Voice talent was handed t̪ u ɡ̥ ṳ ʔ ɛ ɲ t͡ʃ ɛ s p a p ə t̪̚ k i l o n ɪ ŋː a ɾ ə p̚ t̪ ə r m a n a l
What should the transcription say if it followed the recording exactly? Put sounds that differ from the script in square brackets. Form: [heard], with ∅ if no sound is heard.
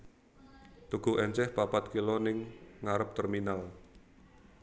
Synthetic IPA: t̪ u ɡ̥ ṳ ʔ ɛ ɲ t͡ʃ ɛ [h] p a p [a] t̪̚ k i l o n ɪ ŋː a ɾ ə p̚ t̪ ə r m [i] n a l